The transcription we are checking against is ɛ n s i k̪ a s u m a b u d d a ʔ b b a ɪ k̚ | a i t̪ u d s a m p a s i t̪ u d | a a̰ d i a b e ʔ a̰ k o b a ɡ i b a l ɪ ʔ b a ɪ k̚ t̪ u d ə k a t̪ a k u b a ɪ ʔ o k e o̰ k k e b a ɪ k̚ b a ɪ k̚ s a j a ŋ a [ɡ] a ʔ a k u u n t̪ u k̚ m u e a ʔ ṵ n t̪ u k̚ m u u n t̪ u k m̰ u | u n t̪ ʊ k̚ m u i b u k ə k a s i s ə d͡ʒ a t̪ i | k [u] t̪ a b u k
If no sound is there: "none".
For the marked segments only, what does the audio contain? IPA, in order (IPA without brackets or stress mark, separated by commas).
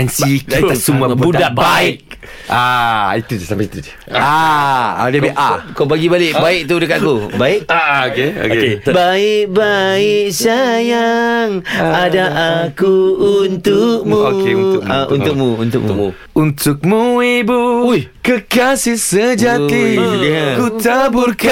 d, u